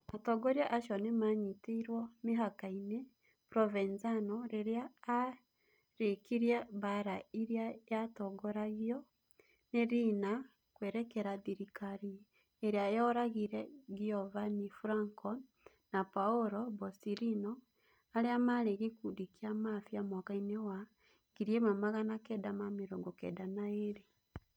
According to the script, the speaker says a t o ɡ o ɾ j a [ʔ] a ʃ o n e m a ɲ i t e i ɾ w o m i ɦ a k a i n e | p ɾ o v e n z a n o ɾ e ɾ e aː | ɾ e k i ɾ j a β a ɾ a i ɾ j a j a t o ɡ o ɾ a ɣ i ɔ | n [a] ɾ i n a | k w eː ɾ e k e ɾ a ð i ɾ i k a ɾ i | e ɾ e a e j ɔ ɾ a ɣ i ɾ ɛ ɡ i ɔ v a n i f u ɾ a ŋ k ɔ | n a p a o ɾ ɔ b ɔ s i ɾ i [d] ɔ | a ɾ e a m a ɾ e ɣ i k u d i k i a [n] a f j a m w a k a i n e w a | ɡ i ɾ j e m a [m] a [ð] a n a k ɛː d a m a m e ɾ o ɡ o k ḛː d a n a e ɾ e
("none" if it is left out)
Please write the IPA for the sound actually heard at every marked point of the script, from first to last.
ʔ, e, n, m, m, ɣ

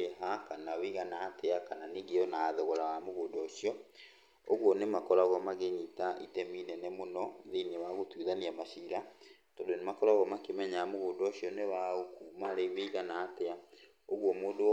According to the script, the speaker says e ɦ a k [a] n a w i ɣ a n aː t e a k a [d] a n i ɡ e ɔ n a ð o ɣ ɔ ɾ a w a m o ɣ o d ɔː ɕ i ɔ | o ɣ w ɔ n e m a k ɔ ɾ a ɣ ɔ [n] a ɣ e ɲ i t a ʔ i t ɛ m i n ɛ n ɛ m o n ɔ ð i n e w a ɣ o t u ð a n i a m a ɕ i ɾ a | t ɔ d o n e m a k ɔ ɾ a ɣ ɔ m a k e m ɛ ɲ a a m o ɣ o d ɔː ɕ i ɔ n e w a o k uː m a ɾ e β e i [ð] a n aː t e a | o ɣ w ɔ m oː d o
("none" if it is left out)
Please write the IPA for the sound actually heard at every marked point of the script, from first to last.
a, n, m, ɣ

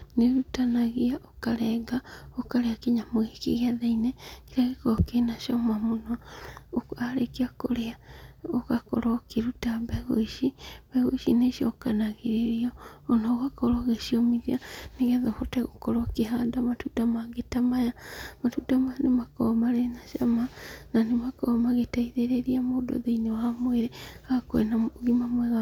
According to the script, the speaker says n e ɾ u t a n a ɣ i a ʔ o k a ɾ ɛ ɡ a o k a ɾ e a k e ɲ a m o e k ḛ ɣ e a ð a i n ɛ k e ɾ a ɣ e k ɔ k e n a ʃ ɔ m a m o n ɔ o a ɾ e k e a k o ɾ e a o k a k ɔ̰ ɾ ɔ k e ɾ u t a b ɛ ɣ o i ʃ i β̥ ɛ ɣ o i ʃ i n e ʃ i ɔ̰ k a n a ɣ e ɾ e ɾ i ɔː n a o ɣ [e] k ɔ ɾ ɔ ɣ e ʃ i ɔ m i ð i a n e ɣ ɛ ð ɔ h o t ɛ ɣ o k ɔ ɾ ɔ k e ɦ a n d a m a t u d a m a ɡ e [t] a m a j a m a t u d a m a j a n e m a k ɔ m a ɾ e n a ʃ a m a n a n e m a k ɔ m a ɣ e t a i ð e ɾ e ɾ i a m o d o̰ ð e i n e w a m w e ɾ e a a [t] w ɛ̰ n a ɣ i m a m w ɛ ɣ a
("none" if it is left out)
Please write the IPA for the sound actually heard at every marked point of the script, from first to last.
a, t, k

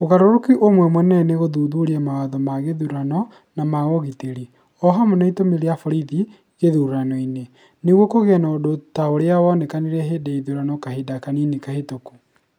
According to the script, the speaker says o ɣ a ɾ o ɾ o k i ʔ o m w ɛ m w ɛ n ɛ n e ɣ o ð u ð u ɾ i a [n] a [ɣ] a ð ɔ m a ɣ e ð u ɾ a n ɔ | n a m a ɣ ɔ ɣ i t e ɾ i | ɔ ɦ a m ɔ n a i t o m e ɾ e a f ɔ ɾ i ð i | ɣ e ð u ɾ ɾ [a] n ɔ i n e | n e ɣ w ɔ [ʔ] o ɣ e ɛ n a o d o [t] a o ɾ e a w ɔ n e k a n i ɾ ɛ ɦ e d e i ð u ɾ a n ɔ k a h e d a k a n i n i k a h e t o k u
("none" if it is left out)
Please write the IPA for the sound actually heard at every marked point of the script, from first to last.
m, w, a, k, t

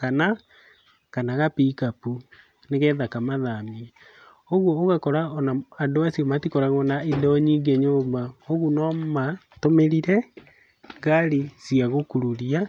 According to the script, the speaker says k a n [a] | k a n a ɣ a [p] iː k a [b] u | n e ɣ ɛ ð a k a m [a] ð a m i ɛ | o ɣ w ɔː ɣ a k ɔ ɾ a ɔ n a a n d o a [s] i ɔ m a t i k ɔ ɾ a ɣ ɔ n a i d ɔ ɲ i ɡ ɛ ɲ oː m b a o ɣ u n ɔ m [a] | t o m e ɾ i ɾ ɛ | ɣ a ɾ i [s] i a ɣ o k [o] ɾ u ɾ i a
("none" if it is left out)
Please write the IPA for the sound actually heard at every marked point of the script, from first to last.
a, p, p, a, s, a, s, u

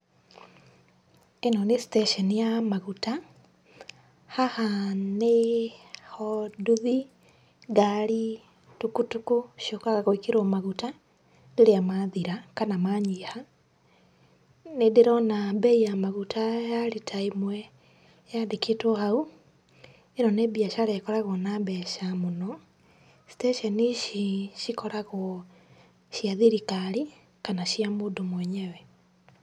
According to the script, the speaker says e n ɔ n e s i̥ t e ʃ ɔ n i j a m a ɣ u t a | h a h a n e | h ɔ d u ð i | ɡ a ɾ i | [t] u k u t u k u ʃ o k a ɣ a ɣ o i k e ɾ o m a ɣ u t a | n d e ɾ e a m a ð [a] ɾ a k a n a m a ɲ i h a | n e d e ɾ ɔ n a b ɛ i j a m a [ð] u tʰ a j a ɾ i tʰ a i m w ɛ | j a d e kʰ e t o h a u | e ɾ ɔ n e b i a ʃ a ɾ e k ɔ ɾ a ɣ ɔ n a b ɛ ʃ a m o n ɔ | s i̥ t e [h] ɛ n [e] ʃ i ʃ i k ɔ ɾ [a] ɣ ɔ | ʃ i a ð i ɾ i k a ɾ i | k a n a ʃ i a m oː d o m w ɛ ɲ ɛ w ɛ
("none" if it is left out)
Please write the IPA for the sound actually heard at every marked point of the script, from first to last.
t, i, ɣ, ʃ, i, a

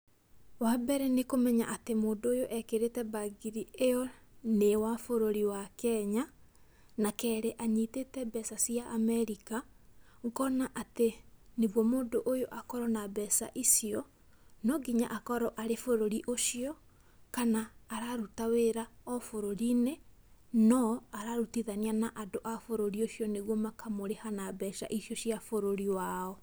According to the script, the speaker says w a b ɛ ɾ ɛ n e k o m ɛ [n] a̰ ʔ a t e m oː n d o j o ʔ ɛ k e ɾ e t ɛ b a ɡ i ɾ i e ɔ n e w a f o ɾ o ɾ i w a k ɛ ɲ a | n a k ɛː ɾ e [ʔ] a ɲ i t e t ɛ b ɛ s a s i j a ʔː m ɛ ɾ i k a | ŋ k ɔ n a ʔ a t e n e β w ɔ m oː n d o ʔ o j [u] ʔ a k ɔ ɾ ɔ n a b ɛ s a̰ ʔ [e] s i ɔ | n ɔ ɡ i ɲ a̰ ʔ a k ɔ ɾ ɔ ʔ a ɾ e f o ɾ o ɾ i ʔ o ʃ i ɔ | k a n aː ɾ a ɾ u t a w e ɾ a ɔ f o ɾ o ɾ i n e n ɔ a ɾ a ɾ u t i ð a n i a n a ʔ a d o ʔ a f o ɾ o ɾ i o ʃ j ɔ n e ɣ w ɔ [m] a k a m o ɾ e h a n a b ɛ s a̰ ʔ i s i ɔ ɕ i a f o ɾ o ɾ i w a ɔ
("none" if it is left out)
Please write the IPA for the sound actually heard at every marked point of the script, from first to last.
ɲ, ʔ, o, i, m

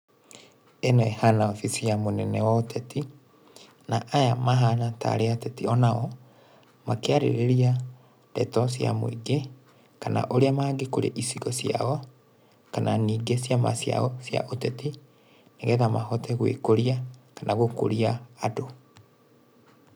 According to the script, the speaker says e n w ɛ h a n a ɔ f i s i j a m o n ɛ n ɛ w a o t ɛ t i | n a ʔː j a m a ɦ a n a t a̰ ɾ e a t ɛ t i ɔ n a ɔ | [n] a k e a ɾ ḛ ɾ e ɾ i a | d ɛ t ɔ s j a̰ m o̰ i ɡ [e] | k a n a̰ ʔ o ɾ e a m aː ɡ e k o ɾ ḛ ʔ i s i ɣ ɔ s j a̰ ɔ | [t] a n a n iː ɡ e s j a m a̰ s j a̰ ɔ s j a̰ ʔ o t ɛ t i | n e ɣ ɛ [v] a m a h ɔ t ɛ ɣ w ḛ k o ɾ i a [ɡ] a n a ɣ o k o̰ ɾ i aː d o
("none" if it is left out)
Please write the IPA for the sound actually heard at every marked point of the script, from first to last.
m, e, k, ð, k

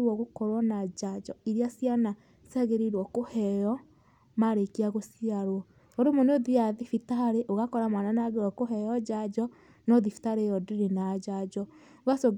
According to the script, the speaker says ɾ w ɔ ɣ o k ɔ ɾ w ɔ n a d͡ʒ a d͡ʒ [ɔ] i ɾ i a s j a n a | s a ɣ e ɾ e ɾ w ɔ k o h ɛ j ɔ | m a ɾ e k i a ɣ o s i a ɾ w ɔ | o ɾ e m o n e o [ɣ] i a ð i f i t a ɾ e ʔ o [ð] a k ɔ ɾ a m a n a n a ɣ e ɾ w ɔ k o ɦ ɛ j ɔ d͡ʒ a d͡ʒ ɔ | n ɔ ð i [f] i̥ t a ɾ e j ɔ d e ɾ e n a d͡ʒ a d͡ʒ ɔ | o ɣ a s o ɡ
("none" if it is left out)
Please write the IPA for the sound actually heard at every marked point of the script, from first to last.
ɔ, ð, ɣ, f

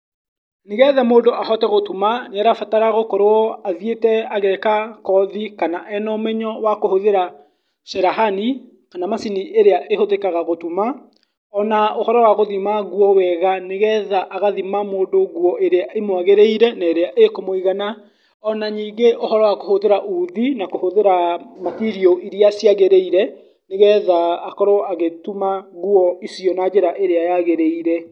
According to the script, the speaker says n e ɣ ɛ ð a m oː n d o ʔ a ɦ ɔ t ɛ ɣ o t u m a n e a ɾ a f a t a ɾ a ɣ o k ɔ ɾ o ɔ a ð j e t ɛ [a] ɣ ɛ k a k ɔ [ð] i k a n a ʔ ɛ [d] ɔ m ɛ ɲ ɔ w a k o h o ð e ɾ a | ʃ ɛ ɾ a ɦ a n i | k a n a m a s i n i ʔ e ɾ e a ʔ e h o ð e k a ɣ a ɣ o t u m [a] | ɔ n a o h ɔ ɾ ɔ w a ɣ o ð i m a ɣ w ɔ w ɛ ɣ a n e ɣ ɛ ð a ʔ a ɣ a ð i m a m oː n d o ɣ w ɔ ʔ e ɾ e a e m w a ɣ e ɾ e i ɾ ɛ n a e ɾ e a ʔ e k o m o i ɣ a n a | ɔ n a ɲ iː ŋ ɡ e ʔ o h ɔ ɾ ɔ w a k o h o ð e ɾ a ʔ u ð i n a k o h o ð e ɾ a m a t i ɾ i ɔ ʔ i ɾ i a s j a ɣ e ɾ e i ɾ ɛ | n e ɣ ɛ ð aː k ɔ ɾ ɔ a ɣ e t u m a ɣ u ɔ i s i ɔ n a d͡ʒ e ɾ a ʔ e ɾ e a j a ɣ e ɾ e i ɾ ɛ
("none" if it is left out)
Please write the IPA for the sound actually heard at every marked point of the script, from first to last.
a, ð, n, a

